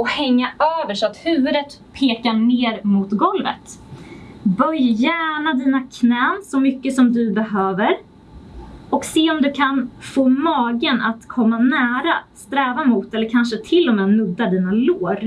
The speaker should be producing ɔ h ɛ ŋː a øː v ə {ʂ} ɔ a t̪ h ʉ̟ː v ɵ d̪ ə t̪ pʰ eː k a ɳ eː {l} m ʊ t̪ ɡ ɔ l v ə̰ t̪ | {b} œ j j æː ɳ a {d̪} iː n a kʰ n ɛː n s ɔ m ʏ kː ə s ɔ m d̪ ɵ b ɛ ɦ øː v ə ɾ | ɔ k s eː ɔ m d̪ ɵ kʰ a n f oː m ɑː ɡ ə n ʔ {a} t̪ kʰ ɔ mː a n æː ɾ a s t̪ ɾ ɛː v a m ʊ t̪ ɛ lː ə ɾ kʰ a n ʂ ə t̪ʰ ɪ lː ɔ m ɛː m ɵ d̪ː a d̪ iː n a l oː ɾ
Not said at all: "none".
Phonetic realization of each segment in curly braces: ʂ, ɾ, b, d̪, a

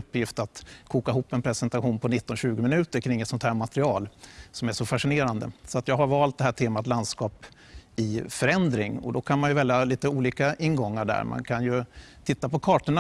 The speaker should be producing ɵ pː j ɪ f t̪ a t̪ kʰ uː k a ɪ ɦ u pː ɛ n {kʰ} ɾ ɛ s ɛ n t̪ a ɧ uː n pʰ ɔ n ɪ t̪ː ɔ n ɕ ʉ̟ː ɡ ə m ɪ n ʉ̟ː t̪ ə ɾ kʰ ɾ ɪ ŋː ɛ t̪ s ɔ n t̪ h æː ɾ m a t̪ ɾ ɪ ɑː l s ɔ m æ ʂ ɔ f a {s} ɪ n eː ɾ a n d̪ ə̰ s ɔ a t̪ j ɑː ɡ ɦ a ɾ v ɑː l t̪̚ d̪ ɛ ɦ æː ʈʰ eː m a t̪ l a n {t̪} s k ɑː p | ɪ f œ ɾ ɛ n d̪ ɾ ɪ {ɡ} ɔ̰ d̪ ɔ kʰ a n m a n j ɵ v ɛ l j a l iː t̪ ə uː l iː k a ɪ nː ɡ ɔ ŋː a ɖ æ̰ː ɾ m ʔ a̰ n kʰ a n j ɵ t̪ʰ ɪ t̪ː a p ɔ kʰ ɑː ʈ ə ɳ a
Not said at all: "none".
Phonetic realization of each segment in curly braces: pʰ, ʂ, d̪, ŋ

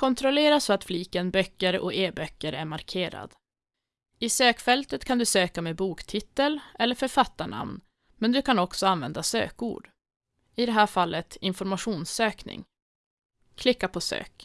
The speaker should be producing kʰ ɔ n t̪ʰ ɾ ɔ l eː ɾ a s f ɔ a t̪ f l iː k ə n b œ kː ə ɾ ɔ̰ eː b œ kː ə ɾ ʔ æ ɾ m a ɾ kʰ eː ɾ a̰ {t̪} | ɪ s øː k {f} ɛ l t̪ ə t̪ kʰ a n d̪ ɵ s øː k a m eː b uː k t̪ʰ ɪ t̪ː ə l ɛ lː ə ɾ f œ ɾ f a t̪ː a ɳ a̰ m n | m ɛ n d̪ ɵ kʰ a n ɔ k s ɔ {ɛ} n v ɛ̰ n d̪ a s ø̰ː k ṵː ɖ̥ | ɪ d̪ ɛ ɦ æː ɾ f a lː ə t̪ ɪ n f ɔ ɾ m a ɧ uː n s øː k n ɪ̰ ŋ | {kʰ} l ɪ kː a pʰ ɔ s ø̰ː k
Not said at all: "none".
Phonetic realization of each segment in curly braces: d̪, f, a, kʰ

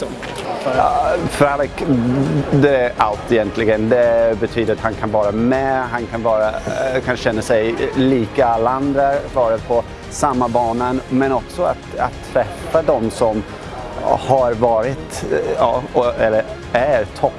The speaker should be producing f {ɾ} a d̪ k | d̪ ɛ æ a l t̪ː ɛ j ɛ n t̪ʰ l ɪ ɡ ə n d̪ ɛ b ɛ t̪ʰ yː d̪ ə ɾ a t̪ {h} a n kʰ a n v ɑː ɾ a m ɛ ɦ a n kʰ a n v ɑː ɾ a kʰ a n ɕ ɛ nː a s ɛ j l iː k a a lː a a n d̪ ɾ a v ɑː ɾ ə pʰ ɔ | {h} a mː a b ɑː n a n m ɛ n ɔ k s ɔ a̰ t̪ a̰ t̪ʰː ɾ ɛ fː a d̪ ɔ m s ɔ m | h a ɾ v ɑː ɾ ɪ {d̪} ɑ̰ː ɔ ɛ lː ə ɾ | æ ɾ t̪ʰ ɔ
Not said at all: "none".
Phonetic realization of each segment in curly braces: ɾ, h, s, t̪

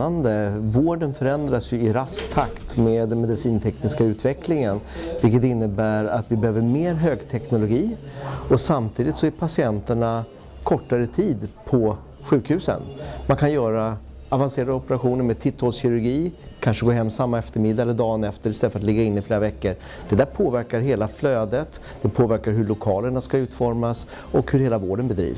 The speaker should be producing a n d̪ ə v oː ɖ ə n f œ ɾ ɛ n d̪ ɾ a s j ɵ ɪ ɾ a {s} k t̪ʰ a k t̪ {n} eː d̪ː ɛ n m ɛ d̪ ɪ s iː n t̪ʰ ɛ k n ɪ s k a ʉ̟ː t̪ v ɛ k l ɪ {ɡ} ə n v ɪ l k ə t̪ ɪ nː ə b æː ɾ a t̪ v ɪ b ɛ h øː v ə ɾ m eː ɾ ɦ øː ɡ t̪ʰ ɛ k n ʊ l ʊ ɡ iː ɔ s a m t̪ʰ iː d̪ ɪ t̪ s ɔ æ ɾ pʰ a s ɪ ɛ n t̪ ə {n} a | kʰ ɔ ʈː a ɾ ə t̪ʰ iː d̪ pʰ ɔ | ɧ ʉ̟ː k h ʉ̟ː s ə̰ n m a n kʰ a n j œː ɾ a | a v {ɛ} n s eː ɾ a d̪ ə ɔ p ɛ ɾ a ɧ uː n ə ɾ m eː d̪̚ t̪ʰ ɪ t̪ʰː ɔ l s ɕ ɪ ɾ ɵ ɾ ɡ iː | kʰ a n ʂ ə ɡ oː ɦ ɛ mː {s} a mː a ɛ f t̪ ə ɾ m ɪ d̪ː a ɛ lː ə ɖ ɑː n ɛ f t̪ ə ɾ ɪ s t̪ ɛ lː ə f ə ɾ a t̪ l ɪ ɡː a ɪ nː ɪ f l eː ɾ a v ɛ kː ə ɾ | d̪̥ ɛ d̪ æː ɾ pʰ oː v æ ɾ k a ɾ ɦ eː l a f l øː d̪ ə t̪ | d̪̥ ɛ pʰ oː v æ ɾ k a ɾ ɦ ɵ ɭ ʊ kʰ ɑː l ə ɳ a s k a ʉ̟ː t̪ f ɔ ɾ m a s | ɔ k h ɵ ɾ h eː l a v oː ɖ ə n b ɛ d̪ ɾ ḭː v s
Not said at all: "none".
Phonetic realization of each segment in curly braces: s, m, ŋ, ɳ, a, s

